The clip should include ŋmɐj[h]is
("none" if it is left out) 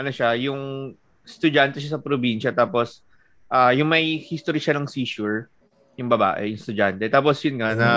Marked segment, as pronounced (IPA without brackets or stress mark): h